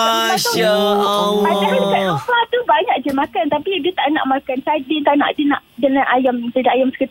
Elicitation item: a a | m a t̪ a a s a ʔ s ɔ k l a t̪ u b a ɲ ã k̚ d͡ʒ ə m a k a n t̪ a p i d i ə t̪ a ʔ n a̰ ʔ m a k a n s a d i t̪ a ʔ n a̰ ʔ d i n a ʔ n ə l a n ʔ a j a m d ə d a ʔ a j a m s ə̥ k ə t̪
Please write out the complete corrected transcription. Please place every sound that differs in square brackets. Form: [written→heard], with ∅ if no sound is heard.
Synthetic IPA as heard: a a | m a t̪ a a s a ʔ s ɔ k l a t̪ u b a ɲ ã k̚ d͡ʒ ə m a k a n t̪ a p i d i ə t̪ a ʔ n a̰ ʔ m a k a n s a d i t̪ a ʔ n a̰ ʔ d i n a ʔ [n→d] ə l a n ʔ a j a m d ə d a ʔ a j a m s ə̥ k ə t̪